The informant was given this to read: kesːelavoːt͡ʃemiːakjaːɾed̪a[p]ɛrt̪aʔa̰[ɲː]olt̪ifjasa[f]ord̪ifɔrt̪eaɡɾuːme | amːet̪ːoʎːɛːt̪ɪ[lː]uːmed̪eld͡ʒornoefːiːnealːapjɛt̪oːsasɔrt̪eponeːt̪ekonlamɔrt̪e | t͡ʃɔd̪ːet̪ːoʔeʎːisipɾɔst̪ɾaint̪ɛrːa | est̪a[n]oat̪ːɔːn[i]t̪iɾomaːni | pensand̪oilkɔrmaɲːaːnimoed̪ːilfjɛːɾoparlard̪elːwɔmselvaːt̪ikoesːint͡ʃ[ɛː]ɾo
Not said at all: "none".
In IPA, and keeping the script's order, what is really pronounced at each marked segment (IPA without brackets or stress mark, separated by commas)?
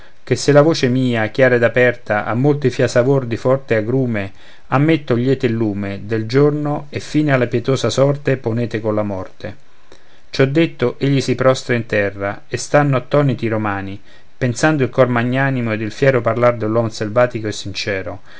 p, mː, v, lː, nː, i, ɛː